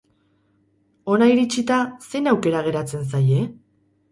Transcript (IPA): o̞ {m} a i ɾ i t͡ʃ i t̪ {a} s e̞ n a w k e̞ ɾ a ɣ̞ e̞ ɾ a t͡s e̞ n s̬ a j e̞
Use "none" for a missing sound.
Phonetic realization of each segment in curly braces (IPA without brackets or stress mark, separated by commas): n, a